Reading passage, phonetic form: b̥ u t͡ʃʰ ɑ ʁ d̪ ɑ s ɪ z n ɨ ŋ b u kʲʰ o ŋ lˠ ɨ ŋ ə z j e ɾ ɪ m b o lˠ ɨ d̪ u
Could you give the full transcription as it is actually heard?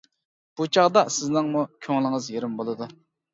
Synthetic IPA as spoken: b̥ u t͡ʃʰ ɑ ʁ d̪ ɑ s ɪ z n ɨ ŋ m u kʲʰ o ŋ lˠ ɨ ŋ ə z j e ɾ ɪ m b o lˠ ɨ d̪ u